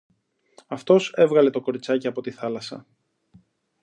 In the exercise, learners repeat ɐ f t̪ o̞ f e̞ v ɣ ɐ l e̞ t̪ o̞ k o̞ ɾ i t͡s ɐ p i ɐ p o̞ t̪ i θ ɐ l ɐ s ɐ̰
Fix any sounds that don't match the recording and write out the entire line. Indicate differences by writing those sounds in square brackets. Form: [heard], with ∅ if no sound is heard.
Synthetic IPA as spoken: ɐ f t̪ o̞ [s] e̞ v ɣ ɐ l e̞ t̪ o̞ k o̞ ɾ i t͡s ɐ [c] i ɐ p o̞ t̪ i θ ɐ l ɐ s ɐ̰

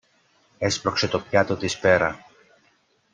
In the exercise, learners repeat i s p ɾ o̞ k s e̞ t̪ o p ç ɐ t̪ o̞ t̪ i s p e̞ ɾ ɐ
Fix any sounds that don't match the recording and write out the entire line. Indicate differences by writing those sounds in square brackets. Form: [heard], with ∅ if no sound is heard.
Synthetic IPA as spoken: [e] s p ɾ o̞ k s e̞ t̪ o p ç ɐ t̪ o̞ t̪ i s p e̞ ɾ ɐ

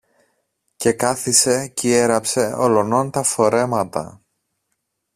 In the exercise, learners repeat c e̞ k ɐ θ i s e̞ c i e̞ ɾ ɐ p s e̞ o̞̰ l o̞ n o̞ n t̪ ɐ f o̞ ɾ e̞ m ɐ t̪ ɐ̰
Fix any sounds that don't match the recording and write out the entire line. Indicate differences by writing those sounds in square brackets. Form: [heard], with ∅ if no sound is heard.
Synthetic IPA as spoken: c e̞ k ɐ θ i s e̞ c i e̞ ɾ ɐ p s e̞ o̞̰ l o̞ n o̞ n t̪ ɐ f o̞ ɾ e̞ m ɐ t̪ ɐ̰

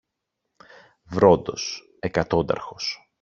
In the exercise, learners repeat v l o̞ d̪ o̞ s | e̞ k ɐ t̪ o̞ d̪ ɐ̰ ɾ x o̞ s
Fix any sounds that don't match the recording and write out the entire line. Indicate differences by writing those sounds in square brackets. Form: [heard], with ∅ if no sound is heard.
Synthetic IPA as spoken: v [ɾ] o̞ d̪ o̞ s | e̞ k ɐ t̪ o̞ d̪ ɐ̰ ɾ x o̞ s

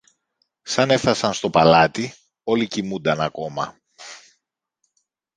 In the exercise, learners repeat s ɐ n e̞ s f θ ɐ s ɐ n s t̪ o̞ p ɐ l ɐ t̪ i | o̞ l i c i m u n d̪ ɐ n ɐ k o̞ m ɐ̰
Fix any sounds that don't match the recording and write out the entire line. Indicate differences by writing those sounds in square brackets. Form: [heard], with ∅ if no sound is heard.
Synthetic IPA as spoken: s ɐ n e̞ [∅] f θ ɐ s ɐ n s t̪ o̞ p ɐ l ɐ t̪ i | o̞ l i c i m u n d̪ ɐ n ɐ k o̞ m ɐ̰

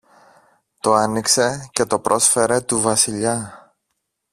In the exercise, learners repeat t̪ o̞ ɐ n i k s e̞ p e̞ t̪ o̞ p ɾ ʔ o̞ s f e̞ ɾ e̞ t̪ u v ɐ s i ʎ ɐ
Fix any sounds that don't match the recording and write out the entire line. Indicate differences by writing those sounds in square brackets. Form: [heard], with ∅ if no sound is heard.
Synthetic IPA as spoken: t̪ o̞ ɐ n i k s e̞ [c] e̞ t̪ o̞ p ɾ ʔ o̞ s f e̞ ɾ e̞ t̪ u v ɐ s i ʎ ɐ

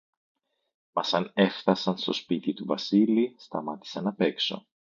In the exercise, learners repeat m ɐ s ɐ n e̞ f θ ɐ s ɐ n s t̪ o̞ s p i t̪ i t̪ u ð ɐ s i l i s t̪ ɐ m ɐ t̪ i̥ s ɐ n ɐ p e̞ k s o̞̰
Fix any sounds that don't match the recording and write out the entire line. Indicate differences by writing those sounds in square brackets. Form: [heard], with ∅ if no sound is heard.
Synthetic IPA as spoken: m ɐ s ɐ n e̞ f θ ɐ s ɐ n s t̪ o̞ s p i t̪ i t̪ u [v] ɐ s i l i s t̪ ɐ m ɐ t̪ i̥ s ɐ n ɐ p e̞ k s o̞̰

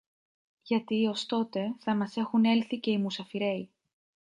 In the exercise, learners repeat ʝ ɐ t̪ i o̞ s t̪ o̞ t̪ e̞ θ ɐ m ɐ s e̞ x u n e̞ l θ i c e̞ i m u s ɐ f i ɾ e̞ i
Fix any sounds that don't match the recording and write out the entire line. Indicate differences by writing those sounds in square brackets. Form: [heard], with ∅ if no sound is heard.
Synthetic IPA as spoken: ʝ ɐ t̪ i o̞ s t̪ o̞ t̪ e̞ θ ɐ m ɐ s e̞ x u n e̞ l θ i c e̞ i m u s ɐ f i ɾ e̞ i

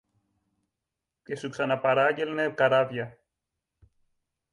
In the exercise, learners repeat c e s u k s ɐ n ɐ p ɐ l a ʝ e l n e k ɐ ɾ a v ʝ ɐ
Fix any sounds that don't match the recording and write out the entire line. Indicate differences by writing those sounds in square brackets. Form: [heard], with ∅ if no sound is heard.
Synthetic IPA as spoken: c e s u k s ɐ n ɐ p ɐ [ɾ] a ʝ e l n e k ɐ ɾ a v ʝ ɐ

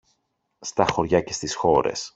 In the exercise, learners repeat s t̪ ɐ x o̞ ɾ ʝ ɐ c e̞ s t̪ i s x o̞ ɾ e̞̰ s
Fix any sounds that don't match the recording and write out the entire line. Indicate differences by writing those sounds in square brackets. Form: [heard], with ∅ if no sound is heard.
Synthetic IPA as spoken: s t̪ ɐ x o̞ ɾ ʝ ɐ c e̞ s t̪ i s x o̞ ɾ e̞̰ s

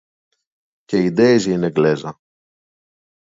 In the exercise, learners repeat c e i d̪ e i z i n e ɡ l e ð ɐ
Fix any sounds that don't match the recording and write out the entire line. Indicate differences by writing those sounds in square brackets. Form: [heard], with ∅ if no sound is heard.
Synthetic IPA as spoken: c e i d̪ e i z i n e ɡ l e [z] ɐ

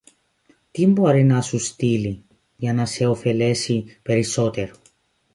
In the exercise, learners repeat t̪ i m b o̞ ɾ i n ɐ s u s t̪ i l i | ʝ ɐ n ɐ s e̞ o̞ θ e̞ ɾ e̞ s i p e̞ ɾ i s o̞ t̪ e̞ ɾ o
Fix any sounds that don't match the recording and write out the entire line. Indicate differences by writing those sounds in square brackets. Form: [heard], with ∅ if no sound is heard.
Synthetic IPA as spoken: t̪ i m b o̞ ɾ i n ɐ s u s t̪ i l i | ʝ ɐ n ɐ s e̞ o̞ [f] e̞ [l] e̞ s i p e̞ ɾ i s o̞ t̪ e̞ ɾ o

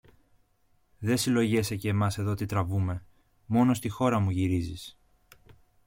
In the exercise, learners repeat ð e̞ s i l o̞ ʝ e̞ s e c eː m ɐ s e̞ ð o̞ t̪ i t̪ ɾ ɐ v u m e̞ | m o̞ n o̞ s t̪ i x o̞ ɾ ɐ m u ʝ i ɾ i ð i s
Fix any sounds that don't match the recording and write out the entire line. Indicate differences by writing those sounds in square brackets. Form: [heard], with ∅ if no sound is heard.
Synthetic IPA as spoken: ð e̞ s i l o̞ ʝ e̞ s e c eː m ɐ s e̞ ð o̞ t̪ i t̪ ɾ ɐ v u m e̞ | m o̞ n o̞ s t̪ i x o̞ ɾ ɐ m u ʝ i ɾ i [z] i s

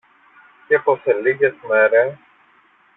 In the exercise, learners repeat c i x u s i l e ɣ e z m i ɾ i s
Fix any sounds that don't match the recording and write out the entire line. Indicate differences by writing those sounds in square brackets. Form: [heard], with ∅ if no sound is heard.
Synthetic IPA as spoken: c [e] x [o] s [e] l [i] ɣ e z m [e] ɾ [e] s

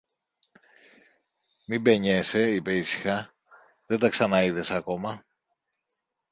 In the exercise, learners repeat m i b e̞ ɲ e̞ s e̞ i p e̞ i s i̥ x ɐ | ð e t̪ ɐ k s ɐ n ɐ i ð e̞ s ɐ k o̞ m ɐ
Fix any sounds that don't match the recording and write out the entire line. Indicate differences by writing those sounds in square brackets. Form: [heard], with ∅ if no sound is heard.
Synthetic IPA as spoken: m i b e̞ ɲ e̞ s e̞ i p e̞ i s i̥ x ɐ | ð e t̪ ɐ k s ɐ n ɐ i ð e̞ s ɐ k o̞ m ɐ

